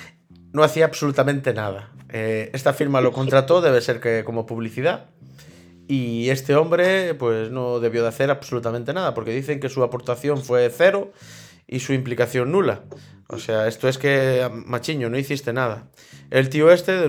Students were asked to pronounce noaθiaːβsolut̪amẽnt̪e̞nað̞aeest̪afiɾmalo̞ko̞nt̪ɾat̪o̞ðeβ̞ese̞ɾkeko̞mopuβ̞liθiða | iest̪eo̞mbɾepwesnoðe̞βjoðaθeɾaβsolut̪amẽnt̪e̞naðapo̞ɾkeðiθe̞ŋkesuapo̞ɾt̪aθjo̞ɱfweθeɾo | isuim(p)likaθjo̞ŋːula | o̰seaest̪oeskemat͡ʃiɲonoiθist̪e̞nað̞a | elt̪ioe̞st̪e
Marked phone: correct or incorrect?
correct